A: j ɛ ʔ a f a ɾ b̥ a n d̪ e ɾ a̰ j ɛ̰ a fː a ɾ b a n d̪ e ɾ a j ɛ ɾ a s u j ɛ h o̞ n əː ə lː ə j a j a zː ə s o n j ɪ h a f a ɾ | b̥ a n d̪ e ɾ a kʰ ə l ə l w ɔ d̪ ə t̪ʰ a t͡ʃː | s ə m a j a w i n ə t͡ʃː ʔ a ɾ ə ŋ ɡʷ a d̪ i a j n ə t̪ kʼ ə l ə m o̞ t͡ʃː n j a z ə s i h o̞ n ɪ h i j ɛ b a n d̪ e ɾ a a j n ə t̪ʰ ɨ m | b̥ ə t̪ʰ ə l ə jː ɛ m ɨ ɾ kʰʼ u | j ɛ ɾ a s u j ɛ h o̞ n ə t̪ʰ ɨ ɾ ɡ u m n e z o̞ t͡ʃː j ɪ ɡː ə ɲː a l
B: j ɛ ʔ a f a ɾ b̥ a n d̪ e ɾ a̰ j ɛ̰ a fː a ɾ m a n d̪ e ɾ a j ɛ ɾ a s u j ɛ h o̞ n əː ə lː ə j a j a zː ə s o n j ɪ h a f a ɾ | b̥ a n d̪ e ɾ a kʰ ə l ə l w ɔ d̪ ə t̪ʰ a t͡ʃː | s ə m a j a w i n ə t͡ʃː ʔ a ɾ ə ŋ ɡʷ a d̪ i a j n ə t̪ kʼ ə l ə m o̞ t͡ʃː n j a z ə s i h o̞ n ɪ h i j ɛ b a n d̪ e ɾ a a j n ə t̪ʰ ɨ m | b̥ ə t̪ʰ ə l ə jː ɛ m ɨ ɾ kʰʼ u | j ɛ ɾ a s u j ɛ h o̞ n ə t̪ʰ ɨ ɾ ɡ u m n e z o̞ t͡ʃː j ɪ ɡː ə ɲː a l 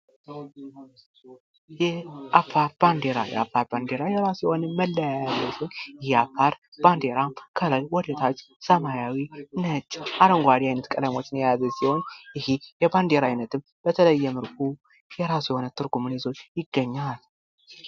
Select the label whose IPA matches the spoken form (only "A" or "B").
A